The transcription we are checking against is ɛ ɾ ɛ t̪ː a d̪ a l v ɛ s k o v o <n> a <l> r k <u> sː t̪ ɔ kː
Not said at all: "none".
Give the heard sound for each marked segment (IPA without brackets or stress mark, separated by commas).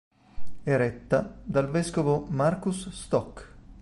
m, none, u